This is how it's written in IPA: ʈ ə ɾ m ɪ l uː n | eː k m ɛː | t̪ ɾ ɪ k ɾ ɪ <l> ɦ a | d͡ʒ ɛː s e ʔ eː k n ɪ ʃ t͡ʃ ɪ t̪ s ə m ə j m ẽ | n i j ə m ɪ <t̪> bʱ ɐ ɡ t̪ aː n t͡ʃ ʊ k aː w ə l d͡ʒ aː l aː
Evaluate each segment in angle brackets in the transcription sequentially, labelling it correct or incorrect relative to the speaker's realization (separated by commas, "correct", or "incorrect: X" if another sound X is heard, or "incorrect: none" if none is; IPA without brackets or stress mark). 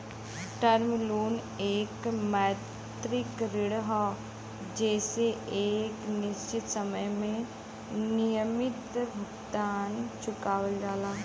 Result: incorrect: ɽ, correct